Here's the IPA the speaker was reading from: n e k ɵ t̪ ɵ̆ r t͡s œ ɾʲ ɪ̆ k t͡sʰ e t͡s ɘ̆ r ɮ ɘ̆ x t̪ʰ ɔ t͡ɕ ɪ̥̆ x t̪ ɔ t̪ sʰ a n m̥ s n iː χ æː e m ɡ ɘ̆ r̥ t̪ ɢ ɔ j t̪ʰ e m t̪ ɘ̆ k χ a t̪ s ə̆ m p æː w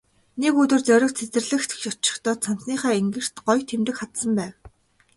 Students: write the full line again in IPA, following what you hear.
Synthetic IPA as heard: n e k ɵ t̪ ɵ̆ r t͡s œ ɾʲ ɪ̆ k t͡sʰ e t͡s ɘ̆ r ɮ ɘ̆ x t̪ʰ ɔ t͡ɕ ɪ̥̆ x t̪ ɔː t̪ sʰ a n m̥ s n iː χ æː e ŋ ɡ ɘ̆ r̥ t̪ ɢ ɔ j t̪ʰ e m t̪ ɘ̆ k χ a t̪ s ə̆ m p æː w